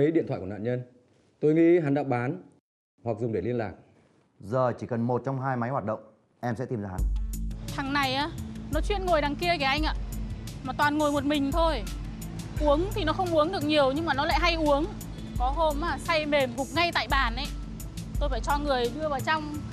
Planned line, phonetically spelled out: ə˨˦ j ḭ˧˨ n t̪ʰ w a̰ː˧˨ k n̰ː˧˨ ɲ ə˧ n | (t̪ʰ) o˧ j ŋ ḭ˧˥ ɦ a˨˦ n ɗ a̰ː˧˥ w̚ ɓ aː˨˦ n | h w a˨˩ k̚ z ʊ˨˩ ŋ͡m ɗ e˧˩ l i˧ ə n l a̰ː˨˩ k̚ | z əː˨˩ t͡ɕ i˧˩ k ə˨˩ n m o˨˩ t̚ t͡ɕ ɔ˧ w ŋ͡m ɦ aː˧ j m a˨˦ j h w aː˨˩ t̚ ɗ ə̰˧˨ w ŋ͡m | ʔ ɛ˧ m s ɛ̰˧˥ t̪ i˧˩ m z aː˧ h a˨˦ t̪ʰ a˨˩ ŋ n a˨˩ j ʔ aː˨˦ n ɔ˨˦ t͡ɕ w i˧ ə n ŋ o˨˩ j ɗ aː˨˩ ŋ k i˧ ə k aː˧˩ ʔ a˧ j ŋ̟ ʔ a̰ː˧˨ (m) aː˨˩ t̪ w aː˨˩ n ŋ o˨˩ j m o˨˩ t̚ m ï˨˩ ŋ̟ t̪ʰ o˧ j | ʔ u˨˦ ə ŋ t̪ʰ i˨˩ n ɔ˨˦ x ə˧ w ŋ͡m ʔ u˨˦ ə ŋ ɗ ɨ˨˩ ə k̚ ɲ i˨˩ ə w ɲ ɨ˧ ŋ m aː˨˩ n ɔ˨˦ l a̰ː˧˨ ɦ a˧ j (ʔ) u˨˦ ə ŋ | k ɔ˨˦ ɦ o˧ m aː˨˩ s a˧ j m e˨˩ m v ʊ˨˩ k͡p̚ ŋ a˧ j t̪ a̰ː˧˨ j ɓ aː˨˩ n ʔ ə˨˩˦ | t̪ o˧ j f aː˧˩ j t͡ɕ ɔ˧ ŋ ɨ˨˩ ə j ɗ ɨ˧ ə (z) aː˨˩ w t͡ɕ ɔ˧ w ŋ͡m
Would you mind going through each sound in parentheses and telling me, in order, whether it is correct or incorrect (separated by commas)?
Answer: incorrect, correct, correct, incorrect